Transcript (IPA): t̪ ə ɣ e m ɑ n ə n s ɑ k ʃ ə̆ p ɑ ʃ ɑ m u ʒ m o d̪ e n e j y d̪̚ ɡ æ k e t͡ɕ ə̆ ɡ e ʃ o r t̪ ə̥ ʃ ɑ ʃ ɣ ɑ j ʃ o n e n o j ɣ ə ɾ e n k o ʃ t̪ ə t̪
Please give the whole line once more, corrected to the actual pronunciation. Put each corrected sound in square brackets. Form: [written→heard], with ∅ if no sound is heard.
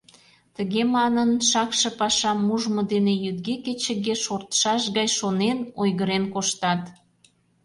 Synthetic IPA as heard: t̪ ə ɣ e m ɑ n ə n [s→ʃ] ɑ k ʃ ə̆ p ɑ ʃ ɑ m u ʒ m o d̪ e n e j y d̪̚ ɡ [æ→e] k e t͡ɕ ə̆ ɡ e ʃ o r t̪ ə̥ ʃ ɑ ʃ ɣ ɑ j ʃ o n e n o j ɣ ə ɾ e n k o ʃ t̪ [ə→ɑ] t̪